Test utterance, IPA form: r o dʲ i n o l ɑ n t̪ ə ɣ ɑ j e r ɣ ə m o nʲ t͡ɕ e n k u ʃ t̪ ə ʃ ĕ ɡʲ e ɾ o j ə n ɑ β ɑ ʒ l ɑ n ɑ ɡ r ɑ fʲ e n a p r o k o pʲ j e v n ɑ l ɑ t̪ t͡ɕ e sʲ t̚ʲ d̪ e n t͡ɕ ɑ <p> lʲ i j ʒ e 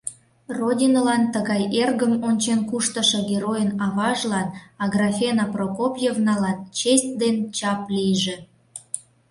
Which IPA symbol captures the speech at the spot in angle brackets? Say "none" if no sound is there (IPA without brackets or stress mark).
p